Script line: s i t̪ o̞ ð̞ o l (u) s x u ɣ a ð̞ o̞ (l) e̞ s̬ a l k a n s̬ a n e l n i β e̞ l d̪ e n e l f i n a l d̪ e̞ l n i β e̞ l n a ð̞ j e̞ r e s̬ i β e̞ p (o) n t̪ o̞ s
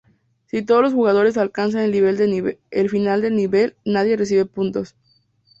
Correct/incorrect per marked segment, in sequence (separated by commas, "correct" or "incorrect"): incorrect, incorrect, incorrect